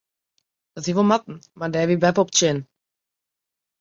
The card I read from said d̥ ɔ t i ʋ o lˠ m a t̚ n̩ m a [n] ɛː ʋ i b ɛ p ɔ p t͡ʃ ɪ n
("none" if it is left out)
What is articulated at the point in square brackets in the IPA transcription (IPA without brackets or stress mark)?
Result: d